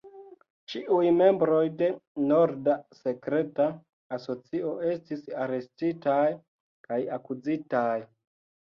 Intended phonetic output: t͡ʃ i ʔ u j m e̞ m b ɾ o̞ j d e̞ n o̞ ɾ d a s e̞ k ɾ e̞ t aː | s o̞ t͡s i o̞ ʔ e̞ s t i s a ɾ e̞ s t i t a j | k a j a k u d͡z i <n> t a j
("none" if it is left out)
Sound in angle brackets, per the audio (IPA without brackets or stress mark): none